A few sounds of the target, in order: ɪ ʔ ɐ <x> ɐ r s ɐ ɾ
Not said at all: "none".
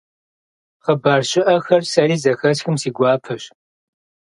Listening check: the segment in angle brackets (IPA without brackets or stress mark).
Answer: x